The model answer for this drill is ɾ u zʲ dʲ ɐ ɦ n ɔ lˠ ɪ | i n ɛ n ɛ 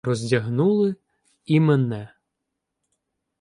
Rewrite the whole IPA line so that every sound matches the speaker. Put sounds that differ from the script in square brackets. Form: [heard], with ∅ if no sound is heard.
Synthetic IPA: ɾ [ɔ] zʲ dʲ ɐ ɦ n [u] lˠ ɪ | i [m] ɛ n ɛ